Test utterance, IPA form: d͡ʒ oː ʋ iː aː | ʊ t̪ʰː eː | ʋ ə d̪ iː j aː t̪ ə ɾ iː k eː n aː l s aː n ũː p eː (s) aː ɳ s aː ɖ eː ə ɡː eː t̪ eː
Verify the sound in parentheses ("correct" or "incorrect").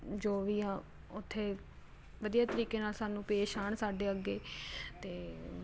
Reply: incorrect